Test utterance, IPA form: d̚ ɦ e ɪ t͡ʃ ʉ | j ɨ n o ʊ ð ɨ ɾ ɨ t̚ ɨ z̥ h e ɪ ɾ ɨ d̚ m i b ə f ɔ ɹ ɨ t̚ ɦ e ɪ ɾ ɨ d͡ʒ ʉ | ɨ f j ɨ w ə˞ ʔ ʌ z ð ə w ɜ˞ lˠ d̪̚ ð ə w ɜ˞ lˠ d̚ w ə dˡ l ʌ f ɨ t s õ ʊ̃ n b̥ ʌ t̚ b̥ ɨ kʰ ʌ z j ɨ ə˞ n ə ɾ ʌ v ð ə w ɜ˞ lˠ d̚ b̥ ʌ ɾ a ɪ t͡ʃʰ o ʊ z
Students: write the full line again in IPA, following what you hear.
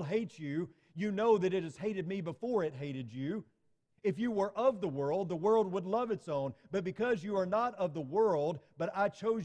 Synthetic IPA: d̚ ɦ e ɪ t͡ʃ ʉ | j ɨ n o ʊ ð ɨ ɾ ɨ t̚ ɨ z̥ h e ɪ ɾ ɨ d̚ m i b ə f ɔ ɹ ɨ t̚ ɦ e ɪ ɾ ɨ d͡ʒ ʉ | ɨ f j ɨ w ə˞ ʔ ʌ v ð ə w ɜ˞ lˠ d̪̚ ð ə w ɜ˞ lˠ d̚ w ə dˡ l ʌ v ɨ t s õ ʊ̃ n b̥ ʌ t̚ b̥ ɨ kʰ ʌ z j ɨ ə˞ n ə ɾ ʌ v ð ə w ɜ˞ lˠ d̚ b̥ ʌ ɾ a ɪ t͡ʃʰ o ʊ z

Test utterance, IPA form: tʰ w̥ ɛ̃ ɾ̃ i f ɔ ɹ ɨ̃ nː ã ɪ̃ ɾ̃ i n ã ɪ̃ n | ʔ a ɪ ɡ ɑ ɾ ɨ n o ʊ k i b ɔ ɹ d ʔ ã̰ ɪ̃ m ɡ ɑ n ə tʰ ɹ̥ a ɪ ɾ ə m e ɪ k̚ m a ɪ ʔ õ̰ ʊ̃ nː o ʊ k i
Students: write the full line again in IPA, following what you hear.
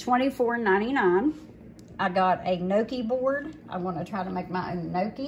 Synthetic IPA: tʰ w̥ ɛ̃ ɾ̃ i f ɔ ɹ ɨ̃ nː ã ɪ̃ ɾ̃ i n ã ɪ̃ n | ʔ a ɪ ɡ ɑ ɾ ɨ n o ʊ k i b ɔ ɹ d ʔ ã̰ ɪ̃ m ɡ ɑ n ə tʰ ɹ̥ a ɪ ɾ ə m e ɪ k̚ m a ɪ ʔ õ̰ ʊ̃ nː o ʊ k i

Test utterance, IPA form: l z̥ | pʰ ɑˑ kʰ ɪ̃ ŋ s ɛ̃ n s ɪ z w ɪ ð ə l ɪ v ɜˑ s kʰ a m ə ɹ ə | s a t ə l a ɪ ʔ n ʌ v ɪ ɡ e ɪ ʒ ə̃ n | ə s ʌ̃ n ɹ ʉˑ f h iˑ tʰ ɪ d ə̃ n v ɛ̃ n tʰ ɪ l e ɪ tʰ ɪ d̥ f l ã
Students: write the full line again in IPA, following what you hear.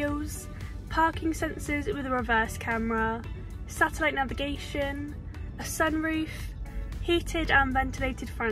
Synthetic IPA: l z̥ | pʰ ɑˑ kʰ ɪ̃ ŋ s ɛ̃ n s ɪ z w ɪ ð ə ɹ ɪ v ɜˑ s kʰ a m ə ɹ ə | s a t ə l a ɪ ʔ n a v ɪ ɡ e ɪ ʃ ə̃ n | ə s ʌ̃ n ɹ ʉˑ f h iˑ tʰ ɪ d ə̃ n v ɛ̃ n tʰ ɪ l e ɪ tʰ ɪ d̥ f ɹ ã

